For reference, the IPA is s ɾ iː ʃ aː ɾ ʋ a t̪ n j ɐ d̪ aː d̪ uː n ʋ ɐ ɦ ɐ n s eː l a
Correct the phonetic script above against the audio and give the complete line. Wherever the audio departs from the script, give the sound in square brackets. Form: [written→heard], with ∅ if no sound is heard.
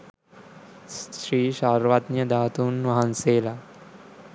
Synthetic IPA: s ɾ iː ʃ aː ɾ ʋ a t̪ n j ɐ d̪ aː [d̪→t̪] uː n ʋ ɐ ɦ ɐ n s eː l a